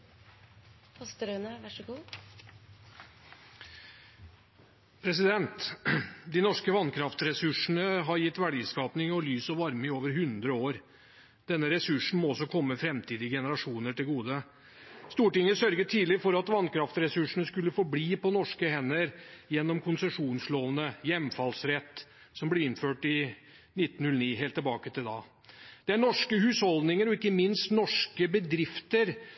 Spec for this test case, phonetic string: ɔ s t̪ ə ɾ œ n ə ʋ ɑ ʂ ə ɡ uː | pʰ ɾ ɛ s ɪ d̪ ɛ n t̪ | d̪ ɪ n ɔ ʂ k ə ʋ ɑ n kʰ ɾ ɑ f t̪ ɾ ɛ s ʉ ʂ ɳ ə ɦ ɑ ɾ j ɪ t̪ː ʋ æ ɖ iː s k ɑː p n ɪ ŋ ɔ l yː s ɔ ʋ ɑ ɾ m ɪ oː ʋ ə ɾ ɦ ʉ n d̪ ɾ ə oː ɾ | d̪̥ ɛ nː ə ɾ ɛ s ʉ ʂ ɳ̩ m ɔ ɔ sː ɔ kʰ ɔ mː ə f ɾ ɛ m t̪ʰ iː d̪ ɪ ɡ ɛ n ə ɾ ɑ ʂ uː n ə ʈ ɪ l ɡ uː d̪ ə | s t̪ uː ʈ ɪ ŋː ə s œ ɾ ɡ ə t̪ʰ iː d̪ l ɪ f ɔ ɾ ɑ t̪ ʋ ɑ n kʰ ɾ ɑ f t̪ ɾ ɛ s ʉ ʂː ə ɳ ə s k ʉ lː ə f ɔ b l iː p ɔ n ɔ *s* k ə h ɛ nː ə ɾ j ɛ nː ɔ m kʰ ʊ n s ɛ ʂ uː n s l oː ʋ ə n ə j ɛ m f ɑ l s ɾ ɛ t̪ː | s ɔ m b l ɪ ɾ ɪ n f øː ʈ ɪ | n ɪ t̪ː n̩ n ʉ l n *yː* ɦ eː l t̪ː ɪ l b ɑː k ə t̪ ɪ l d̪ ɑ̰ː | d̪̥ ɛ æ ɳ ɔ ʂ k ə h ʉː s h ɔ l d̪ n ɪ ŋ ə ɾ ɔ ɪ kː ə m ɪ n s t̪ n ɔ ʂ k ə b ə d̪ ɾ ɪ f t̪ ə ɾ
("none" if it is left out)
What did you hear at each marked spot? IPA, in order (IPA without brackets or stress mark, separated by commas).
ʂ, iː